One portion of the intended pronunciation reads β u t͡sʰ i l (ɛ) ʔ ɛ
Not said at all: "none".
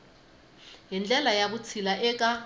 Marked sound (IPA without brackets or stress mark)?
a